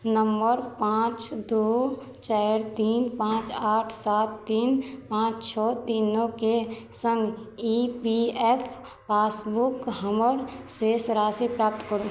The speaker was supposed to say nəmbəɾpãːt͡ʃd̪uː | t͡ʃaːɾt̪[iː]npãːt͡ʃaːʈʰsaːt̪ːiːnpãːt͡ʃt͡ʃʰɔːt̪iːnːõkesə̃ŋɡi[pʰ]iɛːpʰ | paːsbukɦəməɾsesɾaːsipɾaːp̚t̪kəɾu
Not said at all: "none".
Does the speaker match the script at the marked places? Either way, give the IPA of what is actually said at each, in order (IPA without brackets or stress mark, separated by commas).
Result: iː, p